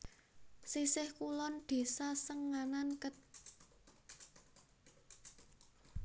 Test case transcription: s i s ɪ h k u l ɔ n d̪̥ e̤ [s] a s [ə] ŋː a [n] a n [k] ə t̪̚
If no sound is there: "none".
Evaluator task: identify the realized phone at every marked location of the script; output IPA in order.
s, ə, n, k

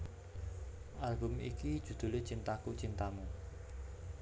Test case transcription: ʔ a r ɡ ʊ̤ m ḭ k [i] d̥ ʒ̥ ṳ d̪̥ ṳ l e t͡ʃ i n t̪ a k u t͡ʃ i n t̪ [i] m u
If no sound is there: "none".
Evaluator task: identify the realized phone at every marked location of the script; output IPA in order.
i, a

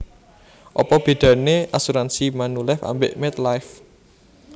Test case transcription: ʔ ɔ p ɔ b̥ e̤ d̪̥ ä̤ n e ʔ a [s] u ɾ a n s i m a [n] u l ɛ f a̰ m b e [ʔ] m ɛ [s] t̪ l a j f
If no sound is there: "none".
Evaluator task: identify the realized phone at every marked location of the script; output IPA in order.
s, n, ʔ, none

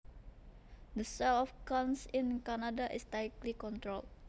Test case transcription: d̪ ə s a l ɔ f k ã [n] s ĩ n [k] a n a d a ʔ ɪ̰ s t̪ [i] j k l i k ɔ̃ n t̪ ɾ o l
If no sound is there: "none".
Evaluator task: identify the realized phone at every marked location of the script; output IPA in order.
n, k, a

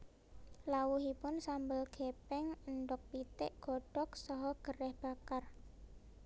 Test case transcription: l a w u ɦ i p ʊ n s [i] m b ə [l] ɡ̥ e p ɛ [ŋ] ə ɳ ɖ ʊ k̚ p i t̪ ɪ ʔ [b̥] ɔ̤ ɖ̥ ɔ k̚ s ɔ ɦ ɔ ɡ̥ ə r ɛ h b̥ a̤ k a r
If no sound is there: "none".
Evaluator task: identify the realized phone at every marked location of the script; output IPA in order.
a, l, ŋ, ɡ̥

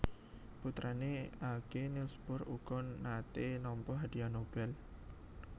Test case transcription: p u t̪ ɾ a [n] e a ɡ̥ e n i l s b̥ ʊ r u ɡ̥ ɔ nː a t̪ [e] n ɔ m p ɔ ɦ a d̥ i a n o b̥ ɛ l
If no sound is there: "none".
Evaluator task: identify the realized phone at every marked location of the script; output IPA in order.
n, e

